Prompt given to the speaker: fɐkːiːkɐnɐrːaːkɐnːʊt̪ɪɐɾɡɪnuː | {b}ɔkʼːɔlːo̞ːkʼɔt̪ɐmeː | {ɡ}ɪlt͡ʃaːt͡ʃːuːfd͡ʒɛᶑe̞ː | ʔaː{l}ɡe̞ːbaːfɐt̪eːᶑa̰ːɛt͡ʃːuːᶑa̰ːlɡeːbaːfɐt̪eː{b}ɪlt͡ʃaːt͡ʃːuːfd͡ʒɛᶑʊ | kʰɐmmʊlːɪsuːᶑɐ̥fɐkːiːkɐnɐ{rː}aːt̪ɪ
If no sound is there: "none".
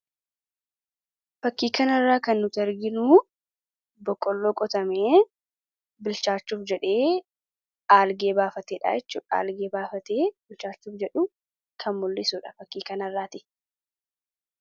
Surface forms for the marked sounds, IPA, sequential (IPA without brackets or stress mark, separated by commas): b, b, l, b, rː